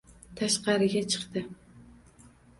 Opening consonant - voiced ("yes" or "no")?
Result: no